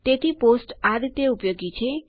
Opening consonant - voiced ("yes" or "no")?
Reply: no